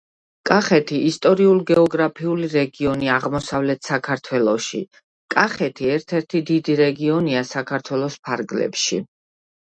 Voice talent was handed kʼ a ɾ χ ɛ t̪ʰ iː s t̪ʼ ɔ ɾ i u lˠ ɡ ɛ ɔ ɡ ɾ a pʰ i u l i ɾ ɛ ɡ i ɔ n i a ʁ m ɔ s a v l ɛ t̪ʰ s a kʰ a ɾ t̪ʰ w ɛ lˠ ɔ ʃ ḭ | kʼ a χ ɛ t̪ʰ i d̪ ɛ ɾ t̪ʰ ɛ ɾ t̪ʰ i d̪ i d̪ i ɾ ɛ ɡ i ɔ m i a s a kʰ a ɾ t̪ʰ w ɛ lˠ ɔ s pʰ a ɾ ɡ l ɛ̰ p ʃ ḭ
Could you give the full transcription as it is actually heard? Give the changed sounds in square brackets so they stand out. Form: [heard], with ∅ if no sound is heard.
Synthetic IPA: kʼ a [∅] χ ɛ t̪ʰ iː s t̪ʼ ɔ ɾ i u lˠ ɡ ɛ ɔ ɡ ɾ a pʰ i u l i ɾ ɛ ɡ i ɔ n i a ʁ m ɔ s a v l ɛ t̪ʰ s a kʰ a ɾ t̪ʰ w ɛ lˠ ɔ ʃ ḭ | kʼ a χ ɛ t̪ʰ i [∅] ɛ ɾ t̪ʰ ɛ ɾ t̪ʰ i d̪ i d̪ i ɾ ɛ ɡ i ɔ [n] i a s a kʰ a ɾ t̪ʰ w ɛ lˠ ɔ s pʰ a ɾ ɡ l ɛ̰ p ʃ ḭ